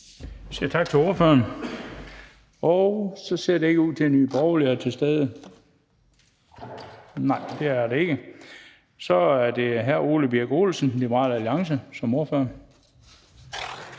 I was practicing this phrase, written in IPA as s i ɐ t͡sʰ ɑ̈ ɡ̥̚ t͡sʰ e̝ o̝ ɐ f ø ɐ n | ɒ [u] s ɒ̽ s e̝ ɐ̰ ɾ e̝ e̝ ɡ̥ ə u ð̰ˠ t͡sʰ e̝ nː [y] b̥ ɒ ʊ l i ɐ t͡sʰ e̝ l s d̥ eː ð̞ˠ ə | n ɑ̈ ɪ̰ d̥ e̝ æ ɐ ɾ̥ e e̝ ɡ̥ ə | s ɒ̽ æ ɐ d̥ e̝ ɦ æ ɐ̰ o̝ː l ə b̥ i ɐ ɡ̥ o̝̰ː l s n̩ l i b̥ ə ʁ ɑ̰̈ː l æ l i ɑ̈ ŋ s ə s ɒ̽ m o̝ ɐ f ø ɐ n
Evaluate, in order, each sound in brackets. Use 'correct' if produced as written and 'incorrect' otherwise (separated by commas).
incorrect, incorrect